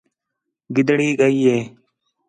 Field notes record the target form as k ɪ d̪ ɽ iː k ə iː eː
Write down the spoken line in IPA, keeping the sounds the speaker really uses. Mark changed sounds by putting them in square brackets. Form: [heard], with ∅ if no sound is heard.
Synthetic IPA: [ɡ] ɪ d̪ ɽ iː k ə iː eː